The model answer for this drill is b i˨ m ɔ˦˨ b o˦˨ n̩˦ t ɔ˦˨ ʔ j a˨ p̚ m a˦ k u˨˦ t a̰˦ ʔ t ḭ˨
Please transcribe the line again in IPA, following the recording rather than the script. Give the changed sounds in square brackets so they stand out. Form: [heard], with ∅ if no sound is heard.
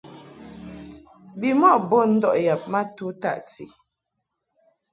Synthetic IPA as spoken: b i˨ m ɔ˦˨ b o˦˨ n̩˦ [d] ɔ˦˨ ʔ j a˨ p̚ m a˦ [t] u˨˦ t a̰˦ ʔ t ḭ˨